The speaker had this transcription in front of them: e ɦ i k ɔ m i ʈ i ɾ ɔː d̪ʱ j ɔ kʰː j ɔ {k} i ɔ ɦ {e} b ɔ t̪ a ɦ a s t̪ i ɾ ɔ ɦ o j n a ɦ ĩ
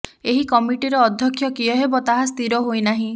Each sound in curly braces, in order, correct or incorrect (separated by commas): correct, correct